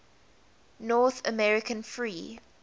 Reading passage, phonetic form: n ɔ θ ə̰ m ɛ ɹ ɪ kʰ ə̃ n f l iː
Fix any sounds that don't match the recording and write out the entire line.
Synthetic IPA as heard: n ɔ θ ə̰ m ɛ ɹ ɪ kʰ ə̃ n f ɹ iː

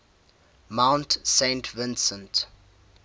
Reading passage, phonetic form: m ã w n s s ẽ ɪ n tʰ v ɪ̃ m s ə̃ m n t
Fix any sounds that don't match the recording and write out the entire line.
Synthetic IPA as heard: m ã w n t s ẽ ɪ n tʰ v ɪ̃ n s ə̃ n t

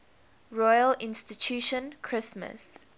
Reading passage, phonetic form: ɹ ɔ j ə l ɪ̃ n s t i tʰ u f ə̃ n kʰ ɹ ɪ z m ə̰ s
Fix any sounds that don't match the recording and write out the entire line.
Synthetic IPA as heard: ɹ ɔ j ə l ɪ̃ n s t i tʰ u ʃ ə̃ n kʰ ɹ ɪ s m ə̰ s

